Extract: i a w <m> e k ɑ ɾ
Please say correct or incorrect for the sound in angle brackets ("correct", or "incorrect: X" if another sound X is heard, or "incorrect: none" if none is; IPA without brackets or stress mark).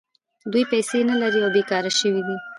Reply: incorrect: b